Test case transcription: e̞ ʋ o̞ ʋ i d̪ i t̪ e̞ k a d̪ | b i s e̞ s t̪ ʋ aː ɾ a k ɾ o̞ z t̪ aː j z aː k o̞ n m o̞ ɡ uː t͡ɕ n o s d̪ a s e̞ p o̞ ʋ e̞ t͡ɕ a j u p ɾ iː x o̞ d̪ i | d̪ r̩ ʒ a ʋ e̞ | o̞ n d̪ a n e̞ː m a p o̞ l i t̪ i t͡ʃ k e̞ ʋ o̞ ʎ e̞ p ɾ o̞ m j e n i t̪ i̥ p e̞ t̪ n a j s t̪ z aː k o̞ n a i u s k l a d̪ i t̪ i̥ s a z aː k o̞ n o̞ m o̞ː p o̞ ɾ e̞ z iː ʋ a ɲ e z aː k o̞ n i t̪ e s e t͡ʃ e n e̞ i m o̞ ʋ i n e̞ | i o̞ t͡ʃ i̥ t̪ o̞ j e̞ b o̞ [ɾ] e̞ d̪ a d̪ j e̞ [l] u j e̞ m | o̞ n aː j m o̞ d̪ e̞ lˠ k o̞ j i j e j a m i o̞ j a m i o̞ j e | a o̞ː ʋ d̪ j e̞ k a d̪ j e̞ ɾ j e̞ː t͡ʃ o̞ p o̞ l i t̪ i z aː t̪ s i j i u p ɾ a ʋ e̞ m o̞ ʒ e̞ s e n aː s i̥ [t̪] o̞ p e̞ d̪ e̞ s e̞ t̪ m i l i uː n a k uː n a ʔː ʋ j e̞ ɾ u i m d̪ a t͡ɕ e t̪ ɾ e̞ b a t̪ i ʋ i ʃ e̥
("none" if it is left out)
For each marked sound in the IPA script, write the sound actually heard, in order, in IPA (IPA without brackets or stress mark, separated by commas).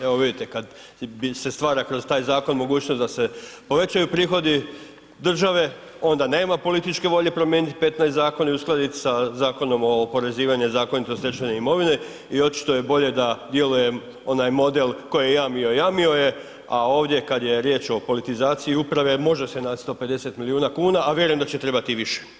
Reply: ʎ, l, t̪